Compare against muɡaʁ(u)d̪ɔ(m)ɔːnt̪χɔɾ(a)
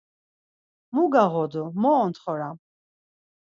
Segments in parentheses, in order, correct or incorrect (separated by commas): incorrect, correct, correct